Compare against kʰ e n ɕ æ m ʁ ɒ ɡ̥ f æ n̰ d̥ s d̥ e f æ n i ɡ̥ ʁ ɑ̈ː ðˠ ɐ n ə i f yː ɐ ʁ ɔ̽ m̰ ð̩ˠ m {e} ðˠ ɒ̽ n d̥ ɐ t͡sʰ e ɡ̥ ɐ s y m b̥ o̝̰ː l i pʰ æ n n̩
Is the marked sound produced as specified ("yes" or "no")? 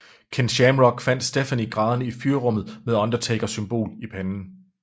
yes